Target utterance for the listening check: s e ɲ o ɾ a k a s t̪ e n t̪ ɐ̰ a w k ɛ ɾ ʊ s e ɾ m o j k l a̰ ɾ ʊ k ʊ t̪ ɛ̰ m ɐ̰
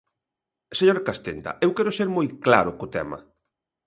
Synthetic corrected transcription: s e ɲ o ɾ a k a s t̪ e n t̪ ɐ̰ e w k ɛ ɾ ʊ s e ɾ m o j k l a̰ ɾ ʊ k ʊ t̪ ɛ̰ m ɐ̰